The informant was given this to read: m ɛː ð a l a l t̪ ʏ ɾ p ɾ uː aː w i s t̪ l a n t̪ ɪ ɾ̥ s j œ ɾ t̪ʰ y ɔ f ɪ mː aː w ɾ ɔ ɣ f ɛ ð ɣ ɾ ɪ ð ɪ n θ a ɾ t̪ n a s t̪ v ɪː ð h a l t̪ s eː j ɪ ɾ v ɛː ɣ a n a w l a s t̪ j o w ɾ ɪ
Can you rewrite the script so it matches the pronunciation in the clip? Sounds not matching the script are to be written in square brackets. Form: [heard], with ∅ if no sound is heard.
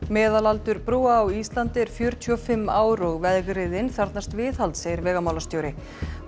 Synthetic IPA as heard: m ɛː ð a l a l t̪ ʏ ɾ p ɾ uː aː w i s t̪ l a n t̪ ɪ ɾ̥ [f] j œ ɾ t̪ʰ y ɔ f ɪ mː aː w ɾ ɔ ɣ [v] ɛ ð ɣ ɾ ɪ ð ɪ n θ a ɾ t̪ n a s t̪ v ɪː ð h a l t̪ s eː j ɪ ɾ v ɛː ɣ a [m] a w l a s t̪ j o w ɾ ɪ